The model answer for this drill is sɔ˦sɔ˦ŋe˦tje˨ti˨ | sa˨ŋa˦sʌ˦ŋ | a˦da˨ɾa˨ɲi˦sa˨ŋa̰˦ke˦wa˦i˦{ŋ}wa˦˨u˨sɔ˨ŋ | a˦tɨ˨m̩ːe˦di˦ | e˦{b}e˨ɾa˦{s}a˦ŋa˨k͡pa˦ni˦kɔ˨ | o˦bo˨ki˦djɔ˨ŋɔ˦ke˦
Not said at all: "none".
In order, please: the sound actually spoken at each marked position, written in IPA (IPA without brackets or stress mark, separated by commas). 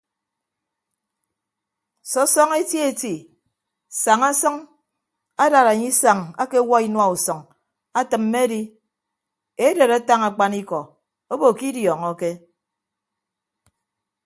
n, d, t